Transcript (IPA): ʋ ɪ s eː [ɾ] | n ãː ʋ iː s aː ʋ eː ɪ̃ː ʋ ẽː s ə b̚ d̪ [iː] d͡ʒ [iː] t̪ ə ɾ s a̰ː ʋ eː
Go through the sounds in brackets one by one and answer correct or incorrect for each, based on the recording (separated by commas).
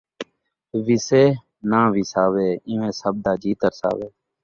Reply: incorrect, incorrect, correct